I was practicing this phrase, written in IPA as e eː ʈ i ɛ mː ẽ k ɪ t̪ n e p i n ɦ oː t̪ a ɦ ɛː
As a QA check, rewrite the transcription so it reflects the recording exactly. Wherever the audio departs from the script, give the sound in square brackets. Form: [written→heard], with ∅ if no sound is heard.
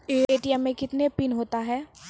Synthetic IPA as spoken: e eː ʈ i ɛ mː ẽ k ɪ t̪ n e p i n ɦ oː t̪ a ɦ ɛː